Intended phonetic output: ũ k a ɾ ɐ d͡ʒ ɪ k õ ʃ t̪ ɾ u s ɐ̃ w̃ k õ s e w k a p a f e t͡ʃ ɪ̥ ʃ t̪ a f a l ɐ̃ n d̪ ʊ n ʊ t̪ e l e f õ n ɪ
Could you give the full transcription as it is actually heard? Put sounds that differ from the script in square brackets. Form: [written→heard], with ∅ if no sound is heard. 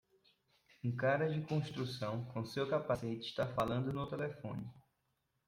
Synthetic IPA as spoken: ũ k a ɾ ɐ d͡ʒ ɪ k õ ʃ t̪ ɾ u s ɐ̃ w̃ k õ s e w k a p a [f→s] e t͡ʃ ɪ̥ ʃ t̪ a f a l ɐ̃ n d̪ ʊ n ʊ t̪ e l e f õ n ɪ